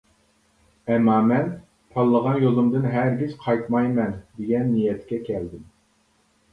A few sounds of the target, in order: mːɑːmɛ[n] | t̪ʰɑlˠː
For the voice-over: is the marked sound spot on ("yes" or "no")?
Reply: yes